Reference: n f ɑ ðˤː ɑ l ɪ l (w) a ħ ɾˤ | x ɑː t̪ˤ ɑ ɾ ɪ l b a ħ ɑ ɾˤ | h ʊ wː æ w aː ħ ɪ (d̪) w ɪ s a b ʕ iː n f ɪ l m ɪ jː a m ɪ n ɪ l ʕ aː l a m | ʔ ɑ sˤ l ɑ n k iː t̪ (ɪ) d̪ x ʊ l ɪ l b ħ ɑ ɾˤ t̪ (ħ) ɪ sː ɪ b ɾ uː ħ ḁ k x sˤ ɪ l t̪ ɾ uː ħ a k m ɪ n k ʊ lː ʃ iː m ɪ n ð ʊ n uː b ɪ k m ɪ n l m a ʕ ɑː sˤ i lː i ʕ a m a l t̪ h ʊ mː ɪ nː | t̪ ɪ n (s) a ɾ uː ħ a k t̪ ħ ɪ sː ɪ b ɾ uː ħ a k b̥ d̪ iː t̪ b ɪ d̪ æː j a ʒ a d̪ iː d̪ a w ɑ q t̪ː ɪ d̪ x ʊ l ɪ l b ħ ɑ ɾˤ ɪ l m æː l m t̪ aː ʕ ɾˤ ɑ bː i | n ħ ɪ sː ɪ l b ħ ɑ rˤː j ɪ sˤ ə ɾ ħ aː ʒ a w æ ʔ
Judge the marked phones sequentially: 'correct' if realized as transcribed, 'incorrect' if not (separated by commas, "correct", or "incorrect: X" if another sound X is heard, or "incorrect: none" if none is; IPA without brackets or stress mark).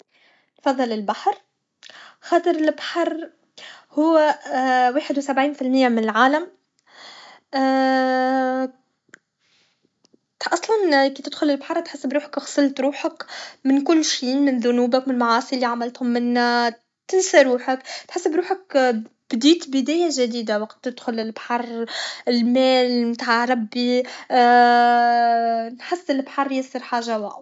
incorrect: b, correct, correct, correct, correct